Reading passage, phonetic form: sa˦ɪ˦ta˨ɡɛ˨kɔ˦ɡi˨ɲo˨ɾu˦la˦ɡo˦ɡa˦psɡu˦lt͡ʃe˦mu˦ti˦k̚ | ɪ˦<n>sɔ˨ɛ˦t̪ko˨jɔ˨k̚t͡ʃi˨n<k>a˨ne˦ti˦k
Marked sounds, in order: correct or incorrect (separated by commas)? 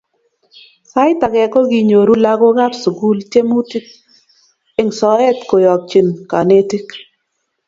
incorrect, correct